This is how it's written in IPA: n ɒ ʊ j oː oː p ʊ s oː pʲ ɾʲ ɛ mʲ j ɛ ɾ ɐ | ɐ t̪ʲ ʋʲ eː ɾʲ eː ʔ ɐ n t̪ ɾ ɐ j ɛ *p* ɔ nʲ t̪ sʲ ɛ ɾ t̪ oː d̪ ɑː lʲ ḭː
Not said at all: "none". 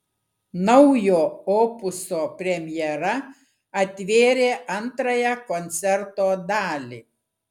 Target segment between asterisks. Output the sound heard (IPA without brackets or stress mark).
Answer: k